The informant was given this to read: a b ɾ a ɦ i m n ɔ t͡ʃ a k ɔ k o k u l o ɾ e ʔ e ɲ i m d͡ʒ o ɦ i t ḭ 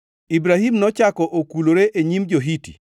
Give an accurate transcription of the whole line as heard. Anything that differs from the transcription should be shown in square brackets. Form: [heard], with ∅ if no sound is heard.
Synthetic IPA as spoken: [i] b ɾ a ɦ i m n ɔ t͡ʃ a k ɔ [ʔ] o k u l o ɾ e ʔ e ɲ i m d͡ʒ o ɦ i t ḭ